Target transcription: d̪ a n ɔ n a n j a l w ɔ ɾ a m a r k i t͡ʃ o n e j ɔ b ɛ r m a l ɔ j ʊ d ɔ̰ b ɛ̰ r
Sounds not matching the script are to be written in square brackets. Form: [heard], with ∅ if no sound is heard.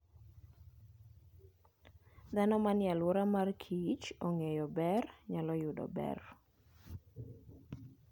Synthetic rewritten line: d̪ a n ɔ [m] a n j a l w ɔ ɾ a m a r [kʰ] i t͡ʃ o [ŋ] e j ɔ b ɛ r [ɲ] a l ɔ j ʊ d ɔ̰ b ɛ̰ r